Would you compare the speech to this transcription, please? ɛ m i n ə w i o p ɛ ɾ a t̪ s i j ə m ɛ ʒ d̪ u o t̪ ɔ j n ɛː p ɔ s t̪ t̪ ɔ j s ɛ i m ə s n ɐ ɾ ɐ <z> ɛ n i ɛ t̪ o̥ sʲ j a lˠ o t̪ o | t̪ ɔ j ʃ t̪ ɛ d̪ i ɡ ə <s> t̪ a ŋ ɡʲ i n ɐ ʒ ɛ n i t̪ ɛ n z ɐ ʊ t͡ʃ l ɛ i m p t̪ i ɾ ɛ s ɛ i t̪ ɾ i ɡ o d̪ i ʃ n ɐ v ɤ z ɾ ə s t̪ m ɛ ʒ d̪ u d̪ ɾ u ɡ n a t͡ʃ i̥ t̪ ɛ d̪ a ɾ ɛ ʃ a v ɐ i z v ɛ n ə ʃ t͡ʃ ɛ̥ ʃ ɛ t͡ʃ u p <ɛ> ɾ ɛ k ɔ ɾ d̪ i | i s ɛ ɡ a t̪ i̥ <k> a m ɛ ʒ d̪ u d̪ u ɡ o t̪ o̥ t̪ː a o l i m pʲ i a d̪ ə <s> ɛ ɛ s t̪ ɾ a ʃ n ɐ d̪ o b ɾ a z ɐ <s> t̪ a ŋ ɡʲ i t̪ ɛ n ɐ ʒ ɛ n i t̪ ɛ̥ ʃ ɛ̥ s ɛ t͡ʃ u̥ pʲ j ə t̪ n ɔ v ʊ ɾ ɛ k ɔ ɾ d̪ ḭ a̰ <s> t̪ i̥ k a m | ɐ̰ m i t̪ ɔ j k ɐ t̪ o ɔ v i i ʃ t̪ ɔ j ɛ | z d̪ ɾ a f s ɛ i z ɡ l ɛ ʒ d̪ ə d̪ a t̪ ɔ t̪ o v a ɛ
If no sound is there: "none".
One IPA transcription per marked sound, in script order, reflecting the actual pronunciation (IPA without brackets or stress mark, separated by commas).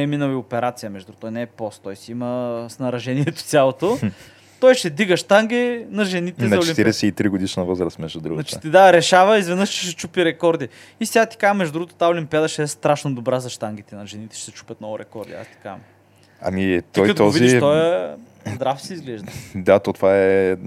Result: ʒ, ʃ, i, k, ʃ, ʃ, s